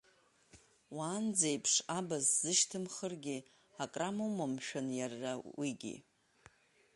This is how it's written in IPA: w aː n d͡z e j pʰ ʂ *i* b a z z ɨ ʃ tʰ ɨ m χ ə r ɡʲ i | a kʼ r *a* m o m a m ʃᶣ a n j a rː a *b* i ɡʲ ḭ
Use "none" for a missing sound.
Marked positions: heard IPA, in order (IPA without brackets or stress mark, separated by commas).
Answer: a, a, w